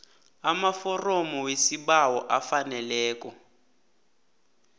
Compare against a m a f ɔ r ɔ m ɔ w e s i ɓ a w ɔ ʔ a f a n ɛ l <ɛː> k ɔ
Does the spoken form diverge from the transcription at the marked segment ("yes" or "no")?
no